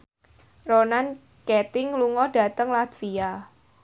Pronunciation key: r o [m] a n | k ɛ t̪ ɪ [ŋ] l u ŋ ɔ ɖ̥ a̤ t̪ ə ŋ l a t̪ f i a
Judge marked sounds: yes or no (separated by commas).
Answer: no, yes